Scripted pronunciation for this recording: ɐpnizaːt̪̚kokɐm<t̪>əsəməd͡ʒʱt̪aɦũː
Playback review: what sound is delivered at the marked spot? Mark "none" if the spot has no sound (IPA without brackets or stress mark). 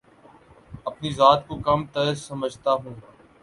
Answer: t̪